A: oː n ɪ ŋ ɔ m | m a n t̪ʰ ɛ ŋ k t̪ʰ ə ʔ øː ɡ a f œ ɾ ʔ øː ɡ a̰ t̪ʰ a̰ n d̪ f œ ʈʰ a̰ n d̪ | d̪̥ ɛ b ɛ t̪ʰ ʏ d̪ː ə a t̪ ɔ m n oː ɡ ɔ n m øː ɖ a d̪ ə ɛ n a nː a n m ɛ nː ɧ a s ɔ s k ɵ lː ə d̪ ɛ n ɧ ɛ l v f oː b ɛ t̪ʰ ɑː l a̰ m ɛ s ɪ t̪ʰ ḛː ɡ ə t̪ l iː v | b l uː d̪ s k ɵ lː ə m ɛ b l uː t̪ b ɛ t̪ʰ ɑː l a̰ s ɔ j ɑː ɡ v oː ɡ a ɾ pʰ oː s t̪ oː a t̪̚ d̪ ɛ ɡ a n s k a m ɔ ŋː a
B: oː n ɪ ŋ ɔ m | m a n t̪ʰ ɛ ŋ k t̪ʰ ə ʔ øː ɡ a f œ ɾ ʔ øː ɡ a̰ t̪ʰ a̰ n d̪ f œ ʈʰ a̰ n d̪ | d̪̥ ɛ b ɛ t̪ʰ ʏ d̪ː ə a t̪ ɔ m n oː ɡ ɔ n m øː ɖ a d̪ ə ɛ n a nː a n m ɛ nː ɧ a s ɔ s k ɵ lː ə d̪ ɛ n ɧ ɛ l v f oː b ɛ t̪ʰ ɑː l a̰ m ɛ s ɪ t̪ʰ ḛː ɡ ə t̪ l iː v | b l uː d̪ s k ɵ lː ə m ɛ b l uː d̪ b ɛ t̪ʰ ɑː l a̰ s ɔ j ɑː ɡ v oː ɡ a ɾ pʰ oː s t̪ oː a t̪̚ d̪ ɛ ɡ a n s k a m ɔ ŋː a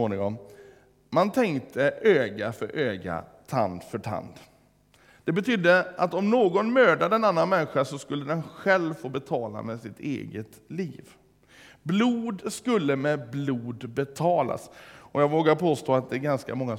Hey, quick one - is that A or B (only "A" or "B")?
B